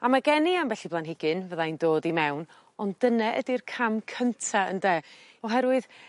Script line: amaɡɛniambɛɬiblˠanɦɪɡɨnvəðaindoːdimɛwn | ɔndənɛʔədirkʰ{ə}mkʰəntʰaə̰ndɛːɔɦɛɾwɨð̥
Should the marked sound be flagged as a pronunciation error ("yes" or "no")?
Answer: yes